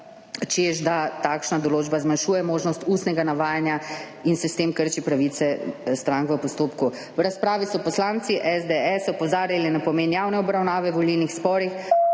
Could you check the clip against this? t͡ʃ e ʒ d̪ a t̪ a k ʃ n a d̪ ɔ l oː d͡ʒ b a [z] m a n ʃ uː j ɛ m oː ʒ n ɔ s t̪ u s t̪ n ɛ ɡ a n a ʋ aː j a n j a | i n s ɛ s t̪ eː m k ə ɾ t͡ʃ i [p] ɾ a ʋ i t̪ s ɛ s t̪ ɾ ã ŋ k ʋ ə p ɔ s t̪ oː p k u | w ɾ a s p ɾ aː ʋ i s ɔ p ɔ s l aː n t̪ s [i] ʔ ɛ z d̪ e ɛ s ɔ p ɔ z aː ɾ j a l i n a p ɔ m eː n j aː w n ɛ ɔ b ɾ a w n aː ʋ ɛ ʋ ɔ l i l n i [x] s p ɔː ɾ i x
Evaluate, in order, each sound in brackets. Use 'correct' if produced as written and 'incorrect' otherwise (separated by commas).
correct, correct, correct, correct